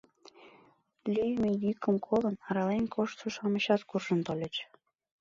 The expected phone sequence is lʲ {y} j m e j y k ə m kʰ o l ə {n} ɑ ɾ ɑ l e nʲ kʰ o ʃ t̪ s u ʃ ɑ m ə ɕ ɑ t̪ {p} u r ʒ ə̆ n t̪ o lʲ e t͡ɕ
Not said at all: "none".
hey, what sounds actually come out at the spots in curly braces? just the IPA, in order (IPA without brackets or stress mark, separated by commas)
y, n, k